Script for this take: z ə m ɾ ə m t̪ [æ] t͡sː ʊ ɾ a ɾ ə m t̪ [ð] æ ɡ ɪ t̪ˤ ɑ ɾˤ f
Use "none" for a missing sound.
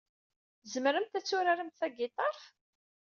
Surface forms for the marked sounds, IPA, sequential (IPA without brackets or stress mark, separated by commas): æ, θ